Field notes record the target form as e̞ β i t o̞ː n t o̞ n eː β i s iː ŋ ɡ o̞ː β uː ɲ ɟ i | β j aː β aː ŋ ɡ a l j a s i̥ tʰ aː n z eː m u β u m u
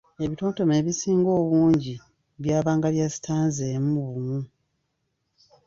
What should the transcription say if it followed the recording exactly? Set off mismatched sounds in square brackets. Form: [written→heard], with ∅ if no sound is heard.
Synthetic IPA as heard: e̞ β i t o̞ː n t o̞ [n→m] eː β i s iː ŋ ɡ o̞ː β uː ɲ ɟ i | β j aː β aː ŋ ɡ a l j a s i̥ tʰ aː n z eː m u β u m u